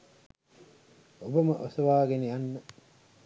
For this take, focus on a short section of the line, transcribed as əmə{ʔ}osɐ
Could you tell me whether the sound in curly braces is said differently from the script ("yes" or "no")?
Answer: no